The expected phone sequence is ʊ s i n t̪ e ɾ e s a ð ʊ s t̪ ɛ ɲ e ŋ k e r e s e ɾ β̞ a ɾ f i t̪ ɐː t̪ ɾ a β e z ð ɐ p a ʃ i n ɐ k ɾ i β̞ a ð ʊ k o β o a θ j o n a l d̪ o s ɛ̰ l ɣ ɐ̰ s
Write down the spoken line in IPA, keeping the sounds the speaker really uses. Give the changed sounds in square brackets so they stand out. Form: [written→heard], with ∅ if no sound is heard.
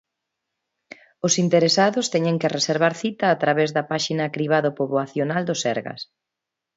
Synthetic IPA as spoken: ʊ s i n t̪ e ɾ e s a ð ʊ s t̪ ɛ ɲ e ŋ k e r e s e ɾ β̞ a ɾ [f→θ] i t̪ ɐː t̪ ɾ a β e z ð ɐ p a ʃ i n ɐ k ɾ i β̞ a ð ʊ [k→p] o β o a θ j o n a l d̪ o s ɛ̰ [l→ɾ] ɣ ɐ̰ s